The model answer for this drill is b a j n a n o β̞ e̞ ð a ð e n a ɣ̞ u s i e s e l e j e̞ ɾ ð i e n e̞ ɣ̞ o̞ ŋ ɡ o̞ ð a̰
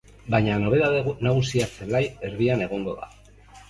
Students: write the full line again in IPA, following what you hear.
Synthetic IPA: b a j ɲ a n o β̞ e̞ ð a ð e n a ɣ̞ u s i a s e l a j e̞ ɾ ð i a n e̞ ɣ̞ o̞ ŋ ɡ o̞ ð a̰